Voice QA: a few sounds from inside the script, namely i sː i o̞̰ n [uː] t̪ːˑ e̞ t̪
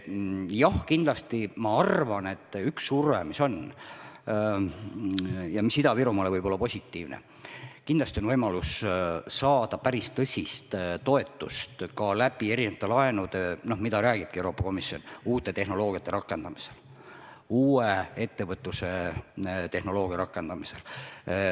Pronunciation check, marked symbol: correct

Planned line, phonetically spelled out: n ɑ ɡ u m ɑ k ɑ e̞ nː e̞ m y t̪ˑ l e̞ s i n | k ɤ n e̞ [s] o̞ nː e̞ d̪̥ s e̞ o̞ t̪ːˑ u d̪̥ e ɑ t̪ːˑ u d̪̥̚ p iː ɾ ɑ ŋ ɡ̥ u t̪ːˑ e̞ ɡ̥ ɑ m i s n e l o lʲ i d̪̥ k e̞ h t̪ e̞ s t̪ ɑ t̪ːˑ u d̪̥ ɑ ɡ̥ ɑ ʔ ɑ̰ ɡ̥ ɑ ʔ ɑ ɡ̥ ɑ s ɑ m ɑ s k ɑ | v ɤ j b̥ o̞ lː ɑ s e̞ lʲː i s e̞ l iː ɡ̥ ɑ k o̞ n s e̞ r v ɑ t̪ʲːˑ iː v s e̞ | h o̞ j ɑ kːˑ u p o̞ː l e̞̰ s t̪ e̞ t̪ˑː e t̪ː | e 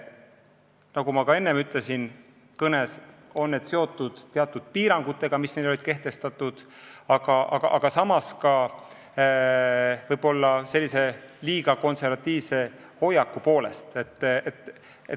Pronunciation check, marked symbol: correct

